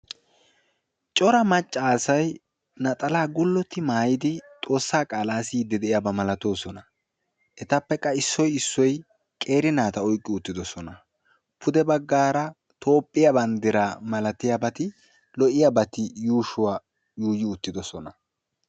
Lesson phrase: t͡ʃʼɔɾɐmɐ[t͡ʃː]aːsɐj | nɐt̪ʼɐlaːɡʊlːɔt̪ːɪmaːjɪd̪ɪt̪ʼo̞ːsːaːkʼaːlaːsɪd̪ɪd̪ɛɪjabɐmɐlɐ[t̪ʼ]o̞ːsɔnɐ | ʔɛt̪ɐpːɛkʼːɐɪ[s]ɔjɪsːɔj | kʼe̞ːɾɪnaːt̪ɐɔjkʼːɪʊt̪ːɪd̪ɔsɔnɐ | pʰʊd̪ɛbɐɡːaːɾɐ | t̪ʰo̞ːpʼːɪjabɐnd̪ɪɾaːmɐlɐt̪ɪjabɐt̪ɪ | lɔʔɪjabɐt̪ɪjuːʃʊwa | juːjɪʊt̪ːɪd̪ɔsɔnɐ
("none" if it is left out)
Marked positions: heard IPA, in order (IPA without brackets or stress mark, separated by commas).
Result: t͡ʃʼː, t̪, sː